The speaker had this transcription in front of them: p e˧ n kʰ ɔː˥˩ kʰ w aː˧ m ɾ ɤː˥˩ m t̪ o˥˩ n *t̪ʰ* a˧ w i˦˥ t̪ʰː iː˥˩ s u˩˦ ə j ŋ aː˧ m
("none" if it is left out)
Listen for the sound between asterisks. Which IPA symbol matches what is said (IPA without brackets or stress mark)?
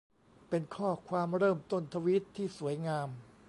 t̪ʰ